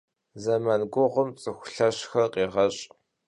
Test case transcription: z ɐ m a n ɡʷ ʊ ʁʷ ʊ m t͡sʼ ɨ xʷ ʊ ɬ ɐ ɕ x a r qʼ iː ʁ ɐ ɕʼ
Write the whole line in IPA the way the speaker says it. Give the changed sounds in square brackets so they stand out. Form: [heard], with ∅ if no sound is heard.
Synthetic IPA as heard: z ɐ m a n ɡʷ ʊ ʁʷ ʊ m t͡sʼ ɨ xʷ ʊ ɬ ɐ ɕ x [ɐ] r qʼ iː ʁ ɐ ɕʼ